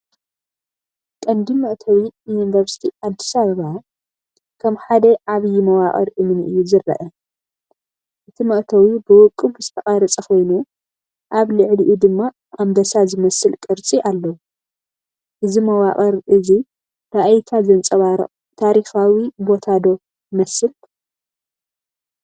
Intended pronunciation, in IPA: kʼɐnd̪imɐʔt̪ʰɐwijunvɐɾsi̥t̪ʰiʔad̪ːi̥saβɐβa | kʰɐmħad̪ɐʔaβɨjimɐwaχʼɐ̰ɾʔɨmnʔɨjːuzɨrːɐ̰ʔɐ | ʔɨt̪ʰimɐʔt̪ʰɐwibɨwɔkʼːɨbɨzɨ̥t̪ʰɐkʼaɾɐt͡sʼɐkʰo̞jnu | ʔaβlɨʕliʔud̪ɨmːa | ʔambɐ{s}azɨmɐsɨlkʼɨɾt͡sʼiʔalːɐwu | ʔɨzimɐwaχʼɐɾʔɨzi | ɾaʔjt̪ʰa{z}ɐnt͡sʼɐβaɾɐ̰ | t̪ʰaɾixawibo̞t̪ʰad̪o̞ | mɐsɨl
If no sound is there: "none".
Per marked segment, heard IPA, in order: s, z

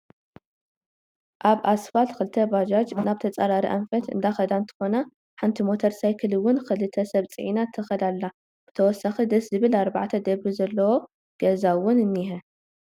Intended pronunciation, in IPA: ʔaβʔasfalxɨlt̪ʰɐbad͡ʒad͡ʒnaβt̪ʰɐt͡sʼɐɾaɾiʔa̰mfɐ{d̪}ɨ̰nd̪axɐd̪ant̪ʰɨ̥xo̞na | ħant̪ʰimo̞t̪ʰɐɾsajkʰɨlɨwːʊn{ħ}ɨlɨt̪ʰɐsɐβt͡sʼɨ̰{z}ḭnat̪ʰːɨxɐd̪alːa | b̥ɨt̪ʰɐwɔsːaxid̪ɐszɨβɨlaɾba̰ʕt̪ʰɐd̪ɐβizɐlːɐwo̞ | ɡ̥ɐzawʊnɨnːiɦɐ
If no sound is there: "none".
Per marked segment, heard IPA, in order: t̪, x, ʕ

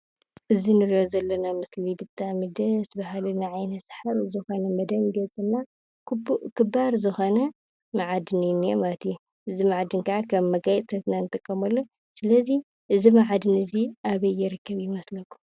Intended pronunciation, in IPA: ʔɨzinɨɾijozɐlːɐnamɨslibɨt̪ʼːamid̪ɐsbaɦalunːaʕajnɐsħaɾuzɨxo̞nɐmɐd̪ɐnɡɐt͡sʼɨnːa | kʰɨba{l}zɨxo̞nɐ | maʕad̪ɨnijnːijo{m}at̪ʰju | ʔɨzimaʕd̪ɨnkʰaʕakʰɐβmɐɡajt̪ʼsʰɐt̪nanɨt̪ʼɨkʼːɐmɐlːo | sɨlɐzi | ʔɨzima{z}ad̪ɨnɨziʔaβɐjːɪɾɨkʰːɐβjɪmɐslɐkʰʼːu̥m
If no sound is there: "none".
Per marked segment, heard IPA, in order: ɾ, m, ʕ

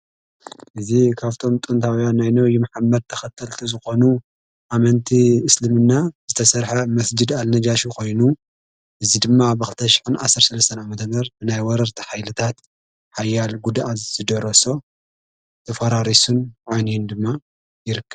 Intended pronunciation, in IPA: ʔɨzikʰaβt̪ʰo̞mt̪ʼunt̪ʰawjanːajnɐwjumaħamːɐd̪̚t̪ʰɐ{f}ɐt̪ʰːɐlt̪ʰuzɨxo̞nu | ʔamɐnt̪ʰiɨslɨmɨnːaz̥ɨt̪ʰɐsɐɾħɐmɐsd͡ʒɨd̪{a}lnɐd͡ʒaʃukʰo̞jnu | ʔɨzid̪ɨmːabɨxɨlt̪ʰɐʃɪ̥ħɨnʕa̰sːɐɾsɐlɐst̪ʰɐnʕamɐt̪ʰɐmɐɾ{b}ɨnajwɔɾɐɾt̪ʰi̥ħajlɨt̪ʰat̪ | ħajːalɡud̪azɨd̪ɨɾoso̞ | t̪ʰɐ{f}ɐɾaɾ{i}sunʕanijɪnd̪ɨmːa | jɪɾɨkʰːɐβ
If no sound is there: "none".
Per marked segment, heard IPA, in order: x, a, b, f, i

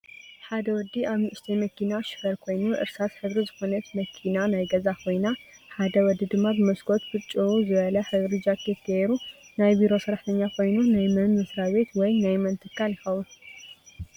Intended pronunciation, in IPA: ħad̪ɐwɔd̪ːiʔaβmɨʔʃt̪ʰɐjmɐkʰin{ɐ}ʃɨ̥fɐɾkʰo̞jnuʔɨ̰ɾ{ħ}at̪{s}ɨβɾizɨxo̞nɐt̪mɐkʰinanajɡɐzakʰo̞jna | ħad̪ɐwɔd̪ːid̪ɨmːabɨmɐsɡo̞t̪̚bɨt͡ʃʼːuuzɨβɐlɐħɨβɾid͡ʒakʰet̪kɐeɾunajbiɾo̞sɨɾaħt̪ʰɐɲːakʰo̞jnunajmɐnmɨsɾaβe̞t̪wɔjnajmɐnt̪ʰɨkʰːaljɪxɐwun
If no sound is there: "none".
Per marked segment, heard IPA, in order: a, s, ħ

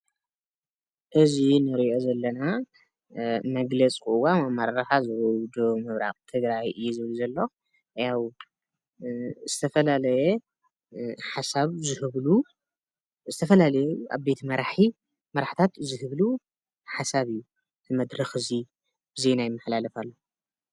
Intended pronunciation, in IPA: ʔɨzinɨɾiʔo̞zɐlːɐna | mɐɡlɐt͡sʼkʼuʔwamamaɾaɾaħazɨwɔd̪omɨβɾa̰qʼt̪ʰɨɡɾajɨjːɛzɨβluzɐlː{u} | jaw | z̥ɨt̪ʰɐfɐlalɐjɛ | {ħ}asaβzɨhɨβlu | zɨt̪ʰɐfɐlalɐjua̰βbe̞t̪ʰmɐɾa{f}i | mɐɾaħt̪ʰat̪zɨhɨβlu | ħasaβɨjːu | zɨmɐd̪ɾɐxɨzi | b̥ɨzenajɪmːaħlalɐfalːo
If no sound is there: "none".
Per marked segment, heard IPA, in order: o, ħ, ħ

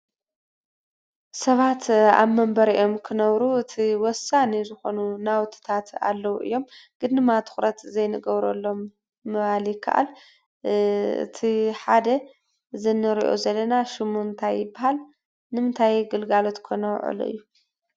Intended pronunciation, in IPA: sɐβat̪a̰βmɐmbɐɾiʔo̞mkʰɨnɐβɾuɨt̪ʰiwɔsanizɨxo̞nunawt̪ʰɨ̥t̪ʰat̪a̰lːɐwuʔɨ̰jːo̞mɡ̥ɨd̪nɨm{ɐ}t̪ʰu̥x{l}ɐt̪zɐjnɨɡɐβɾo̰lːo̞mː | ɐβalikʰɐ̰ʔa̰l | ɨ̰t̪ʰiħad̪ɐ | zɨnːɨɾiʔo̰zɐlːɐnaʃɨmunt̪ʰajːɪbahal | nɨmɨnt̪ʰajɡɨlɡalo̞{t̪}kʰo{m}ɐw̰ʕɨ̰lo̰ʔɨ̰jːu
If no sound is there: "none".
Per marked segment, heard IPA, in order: a, ɾ, t̪, n

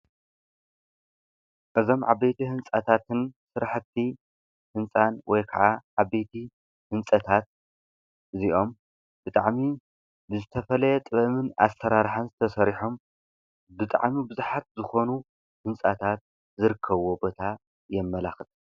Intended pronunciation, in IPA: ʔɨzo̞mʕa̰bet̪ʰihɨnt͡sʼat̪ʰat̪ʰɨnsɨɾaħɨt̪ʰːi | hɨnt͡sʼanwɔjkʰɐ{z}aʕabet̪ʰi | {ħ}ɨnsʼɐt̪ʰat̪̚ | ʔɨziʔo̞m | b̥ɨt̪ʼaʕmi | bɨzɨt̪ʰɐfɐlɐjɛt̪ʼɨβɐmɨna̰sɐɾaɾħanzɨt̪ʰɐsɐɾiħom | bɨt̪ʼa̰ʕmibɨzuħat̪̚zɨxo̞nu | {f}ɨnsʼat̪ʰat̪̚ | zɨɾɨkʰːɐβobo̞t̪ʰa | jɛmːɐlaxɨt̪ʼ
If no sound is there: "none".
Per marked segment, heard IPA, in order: ʕ, h, h

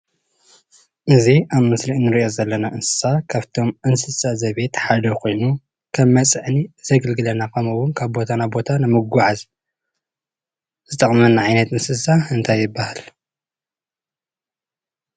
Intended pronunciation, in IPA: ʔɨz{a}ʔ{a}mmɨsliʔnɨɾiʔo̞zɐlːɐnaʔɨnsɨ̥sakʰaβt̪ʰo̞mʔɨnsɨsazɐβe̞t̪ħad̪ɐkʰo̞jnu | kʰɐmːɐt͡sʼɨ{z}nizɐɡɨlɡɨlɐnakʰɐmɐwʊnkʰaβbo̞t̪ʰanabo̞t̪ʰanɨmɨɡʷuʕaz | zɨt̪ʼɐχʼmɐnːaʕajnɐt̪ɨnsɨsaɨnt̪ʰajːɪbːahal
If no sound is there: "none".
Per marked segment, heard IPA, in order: i, a, ʕ

